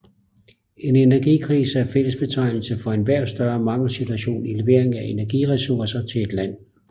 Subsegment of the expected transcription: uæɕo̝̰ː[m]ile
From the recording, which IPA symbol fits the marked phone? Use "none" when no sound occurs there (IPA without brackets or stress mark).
n